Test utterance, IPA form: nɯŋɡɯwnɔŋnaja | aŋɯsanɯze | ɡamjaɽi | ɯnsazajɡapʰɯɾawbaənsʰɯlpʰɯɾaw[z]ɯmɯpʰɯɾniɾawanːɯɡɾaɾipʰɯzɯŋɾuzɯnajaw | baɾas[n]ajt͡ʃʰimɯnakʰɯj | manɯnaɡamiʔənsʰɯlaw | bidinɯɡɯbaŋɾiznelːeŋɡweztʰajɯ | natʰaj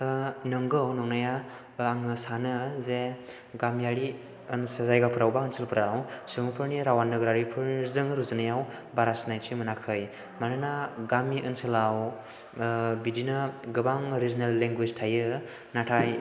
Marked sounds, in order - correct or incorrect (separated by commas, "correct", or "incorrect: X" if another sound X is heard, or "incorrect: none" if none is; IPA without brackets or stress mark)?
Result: incorrect: s, correct